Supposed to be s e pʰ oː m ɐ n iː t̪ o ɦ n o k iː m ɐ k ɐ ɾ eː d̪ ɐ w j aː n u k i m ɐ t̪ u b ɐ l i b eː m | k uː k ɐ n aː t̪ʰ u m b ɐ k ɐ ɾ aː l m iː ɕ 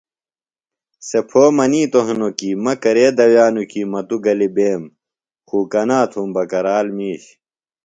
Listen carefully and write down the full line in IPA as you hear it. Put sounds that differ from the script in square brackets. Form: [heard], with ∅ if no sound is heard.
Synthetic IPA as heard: s e pʰ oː m ɐ n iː t̪ o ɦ n o k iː m ɐ k ɐ ɾ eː d̪ ɐ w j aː n u k i m ɐ t̪ u [ɡ] ɐ l i b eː m | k uː k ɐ n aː t̪ʰ u m b ɐ k ɐ ɾ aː l m iː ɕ